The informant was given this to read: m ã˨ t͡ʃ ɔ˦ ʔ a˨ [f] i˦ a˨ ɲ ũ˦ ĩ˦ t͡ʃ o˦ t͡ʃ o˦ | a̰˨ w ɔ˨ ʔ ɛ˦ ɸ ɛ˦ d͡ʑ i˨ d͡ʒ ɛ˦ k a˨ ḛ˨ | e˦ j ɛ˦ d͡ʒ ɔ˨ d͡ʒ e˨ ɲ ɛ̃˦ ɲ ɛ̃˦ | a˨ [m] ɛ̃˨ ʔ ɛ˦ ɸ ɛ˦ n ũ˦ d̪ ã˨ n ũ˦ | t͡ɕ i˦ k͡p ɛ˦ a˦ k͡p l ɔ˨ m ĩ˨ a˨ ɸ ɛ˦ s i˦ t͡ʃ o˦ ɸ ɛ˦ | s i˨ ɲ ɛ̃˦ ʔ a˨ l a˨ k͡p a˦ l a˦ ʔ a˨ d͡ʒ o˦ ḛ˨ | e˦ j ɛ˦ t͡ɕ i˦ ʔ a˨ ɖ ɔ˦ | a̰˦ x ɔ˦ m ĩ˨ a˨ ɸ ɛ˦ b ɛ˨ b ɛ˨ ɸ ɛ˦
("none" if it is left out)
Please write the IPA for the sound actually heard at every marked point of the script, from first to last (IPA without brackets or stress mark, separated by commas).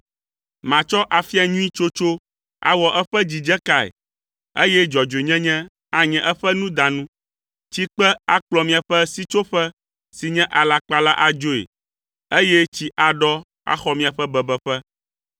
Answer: f, ɲ